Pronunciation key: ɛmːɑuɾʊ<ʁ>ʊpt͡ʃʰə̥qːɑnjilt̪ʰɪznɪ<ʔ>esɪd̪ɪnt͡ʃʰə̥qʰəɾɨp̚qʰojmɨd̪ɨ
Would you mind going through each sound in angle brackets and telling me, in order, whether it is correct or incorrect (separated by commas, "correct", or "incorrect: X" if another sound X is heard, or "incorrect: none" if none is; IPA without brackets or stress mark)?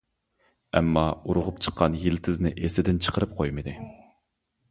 correct, correct